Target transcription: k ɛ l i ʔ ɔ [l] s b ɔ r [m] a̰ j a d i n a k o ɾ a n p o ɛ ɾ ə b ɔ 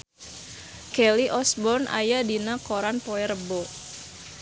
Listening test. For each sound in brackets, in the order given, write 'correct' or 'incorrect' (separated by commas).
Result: incorrect, incorrect